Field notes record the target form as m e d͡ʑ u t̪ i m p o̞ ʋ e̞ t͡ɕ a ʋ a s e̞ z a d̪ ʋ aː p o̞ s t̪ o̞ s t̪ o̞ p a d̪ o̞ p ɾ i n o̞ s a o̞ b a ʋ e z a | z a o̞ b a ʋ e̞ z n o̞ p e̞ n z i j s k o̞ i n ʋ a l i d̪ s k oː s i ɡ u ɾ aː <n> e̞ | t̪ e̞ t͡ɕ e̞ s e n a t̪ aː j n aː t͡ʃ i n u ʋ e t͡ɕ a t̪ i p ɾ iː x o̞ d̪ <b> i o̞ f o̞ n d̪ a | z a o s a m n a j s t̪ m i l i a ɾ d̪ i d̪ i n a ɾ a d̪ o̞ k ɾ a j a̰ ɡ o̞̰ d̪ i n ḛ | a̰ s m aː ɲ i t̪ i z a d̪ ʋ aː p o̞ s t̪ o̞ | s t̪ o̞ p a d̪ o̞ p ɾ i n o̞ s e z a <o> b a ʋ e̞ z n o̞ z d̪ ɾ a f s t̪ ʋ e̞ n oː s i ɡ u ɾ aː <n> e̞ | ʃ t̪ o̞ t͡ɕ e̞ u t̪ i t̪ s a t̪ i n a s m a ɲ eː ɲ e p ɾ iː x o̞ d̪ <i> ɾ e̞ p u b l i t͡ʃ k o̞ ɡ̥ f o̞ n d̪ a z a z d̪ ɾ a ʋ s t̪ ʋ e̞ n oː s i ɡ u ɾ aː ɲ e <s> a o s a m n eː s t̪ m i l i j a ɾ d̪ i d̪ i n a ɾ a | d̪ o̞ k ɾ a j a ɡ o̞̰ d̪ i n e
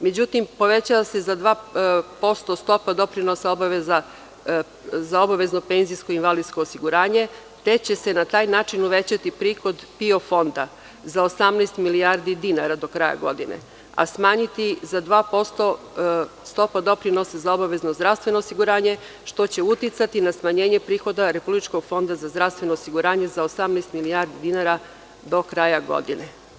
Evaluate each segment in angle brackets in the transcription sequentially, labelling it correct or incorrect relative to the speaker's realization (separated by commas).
incorrect, incorrect, correct, incorrect, incorrect, incorrect